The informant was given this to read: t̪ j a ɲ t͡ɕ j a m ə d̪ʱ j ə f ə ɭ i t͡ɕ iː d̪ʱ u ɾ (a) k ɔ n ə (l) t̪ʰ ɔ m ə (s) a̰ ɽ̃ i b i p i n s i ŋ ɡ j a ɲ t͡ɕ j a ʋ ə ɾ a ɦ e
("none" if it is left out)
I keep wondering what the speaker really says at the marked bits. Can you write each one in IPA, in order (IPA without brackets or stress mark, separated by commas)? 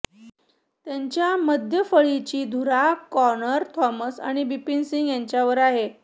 a, ɾ, s